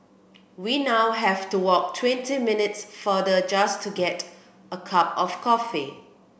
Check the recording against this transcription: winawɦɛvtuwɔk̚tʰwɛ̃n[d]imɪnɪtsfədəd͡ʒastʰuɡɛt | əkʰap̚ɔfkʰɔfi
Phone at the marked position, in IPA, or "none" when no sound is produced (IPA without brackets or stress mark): t